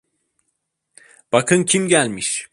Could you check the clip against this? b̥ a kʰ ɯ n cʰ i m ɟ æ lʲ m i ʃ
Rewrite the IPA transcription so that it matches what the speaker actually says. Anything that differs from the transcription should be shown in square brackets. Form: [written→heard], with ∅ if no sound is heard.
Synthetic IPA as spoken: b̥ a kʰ ɯ n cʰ i m ɟ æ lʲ m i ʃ

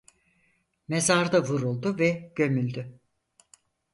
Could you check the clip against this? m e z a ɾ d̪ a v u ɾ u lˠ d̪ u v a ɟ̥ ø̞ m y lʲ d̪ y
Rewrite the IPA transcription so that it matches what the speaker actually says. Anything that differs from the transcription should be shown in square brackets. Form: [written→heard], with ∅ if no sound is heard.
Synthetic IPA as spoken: m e z a ɾ d̪ a v u ɾ u lˠ d̪ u v [a→ɛ] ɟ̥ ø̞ m y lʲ d̪ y

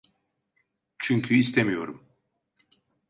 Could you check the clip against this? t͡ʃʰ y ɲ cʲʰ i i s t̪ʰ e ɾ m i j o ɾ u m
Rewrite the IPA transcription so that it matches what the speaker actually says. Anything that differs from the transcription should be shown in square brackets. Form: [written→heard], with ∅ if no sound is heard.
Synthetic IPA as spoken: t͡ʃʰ y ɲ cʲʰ [i→y] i s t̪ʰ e [ɾ→∅] m i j o ɾ u m

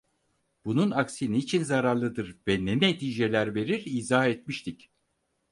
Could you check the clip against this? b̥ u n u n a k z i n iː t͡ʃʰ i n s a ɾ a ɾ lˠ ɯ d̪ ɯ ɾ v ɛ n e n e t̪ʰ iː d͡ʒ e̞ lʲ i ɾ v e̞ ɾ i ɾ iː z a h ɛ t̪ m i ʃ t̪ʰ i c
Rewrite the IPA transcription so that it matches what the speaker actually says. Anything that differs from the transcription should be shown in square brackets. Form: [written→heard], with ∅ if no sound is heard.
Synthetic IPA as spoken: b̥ u n u n a k [z→s] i n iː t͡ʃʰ i n [s→z] a ɾ a ɾ lˠ ɯ d̪ ɯ ɾ v ɛ n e n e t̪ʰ iː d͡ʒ e̞ lʲ [i→æ] ɾ v e̞ ɾ i ɾ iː z a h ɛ t̪ m i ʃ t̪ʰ i c

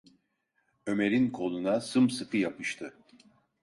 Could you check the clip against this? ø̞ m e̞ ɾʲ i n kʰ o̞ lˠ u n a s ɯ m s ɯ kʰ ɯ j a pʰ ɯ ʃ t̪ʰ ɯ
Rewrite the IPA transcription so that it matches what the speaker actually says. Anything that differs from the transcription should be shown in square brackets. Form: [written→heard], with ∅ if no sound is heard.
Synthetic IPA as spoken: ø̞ m e̞ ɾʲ i n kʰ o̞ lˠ u n a s ɯ m s ɯ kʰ ɯ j a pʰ ɯ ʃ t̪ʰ ɯ

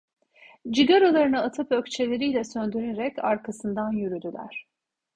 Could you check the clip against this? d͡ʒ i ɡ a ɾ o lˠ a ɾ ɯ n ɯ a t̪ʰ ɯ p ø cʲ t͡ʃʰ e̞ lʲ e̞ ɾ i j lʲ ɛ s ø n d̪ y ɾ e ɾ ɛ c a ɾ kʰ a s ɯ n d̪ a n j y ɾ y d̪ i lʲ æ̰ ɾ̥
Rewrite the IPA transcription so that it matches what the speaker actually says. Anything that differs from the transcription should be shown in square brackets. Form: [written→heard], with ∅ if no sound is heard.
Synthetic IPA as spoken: d͡ʒ i ɡ a ɾ o lˠ a ɾ ɯ n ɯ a t̪ʰ ɯ p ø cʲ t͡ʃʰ e̞ lʲ e̞ ɾ i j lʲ ɛ s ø n d̪ y ɾ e ɾ ɛ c a ɾ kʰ a s ɯ n d̪ a n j y ɾ y d̪ [i→y] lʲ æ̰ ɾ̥

